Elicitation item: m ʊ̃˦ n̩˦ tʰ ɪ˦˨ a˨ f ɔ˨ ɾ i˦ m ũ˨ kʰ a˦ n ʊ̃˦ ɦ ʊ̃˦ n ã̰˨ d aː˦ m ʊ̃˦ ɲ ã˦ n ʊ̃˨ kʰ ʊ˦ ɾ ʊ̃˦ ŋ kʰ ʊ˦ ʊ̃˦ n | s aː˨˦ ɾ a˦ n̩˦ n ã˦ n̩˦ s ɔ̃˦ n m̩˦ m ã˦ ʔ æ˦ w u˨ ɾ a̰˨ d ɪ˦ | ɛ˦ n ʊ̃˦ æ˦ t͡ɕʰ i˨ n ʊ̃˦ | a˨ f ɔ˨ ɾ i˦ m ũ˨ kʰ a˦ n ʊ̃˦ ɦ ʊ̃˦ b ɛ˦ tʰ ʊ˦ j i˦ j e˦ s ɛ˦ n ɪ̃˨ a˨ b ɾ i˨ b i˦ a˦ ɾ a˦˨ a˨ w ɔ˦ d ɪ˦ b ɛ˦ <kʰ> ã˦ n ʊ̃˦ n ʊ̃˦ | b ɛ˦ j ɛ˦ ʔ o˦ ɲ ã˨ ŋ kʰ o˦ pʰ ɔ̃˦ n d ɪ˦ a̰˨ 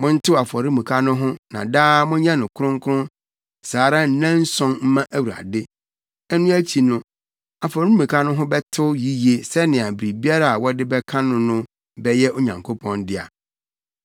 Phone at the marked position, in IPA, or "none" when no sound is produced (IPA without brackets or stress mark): kʰ